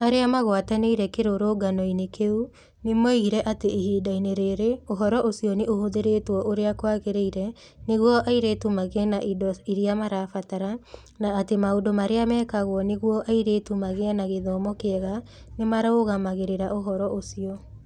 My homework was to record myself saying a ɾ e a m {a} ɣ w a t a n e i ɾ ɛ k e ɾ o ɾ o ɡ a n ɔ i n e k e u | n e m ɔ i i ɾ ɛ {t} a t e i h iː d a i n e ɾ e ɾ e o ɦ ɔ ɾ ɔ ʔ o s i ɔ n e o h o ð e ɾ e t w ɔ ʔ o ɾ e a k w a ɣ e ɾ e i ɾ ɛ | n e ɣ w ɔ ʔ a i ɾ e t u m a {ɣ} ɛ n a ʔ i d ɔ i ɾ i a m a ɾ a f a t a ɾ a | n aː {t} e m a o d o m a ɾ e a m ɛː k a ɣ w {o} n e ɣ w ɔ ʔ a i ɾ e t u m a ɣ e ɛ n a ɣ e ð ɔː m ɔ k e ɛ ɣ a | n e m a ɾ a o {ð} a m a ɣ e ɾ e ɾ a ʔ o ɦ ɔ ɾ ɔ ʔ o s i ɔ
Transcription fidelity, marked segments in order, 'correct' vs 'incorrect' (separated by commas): correct, incorrect, correct, correct, incorrect, incorrect